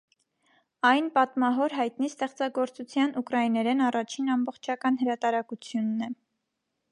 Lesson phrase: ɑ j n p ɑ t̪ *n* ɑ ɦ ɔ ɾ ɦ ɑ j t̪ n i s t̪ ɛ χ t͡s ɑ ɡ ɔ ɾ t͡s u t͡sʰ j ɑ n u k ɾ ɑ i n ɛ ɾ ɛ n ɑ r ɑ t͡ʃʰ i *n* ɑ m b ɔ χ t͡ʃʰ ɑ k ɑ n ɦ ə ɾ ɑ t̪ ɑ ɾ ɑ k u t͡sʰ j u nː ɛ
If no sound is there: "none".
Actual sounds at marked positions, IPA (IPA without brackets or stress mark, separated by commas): m, n